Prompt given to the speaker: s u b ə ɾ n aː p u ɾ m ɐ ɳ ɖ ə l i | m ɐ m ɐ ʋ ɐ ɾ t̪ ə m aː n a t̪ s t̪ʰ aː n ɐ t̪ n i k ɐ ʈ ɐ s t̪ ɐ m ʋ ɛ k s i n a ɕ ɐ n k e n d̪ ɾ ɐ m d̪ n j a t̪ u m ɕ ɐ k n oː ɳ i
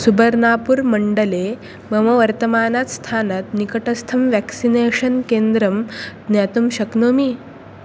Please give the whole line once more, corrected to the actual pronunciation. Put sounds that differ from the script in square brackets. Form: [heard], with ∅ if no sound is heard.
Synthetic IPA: s u b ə ɾ n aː p u ɾ m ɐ ɳ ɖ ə l [e] | m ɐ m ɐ ʋ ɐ ɾ t̪ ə m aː n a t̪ s t̪ʰ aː n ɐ t̪ n i k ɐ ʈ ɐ s [t̪ʰ] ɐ m ʋ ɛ k s i n [e] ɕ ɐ n k e n d̪ ɾ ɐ m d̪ n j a t̪ u m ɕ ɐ k n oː [m] i